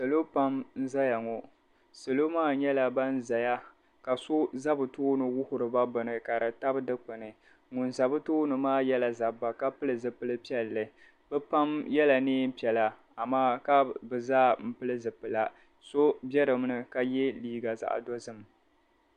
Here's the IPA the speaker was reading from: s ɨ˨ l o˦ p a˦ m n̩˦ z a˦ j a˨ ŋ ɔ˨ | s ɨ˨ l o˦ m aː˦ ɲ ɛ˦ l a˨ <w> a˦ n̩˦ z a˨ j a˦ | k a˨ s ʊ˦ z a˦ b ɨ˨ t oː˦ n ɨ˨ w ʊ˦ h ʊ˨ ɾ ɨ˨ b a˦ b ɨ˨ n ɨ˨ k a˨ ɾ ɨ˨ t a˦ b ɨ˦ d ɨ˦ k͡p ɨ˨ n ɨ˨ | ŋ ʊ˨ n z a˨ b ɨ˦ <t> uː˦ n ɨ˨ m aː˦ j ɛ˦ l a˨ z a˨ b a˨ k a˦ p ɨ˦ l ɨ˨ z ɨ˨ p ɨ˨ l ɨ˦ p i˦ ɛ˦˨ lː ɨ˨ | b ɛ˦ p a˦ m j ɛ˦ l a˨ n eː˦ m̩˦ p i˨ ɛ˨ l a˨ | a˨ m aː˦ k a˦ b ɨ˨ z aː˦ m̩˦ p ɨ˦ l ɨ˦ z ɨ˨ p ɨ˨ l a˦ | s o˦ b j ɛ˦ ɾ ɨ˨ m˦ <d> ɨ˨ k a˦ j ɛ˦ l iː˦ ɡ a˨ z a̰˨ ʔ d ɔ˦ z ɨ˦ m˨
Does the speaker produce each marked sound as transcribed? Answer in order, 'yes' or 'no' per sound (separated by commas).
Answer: no, yes, no